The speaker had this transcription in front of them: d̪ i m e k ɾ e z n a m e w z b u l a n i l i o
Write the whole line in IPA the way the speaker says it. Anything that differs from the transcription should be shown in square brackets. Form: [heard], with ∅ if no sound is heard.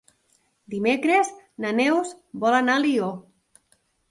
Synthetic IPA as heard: d̪ i m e k ɾ e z n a [n] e w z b [ɔ] l a n [a] l i o